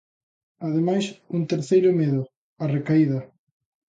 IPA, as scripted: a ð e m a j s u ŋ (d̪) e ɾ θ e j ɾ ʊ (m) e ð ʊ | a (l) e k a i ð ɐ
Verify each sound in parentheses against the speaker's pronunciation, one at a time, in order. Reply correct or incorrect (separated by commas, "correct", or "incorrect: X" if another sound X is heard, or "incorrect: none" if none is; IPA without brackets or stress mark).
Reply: incorrect: t̪, correct, incorrect: r